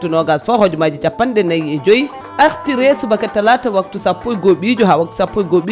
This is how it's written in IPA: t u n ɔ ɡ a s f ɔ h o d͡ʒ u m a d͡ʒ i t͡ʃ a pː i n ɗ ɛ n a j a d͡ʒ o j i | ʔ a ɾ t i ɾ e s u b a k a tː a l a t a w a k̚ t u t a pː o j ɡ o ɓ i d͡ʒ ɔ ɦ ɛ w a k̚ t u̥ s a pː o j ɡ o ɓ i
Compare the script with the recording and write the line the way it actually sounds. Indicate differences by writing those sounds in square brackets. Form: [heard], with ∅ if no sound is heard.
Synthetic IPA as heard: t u n ɔ ɡ a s f ɔ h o d͡ʒ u m a d͡ʒ i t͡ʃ a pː [a] n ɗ ɛ n a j [ɛ] d͡ʒ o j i | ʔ a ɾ t i ɾ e s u b a k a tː a l a t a w a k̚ t u [s] a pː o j ɡ o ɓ i d͡ʒ ɔ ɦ [a] w a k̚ t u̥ s a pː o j ɡ o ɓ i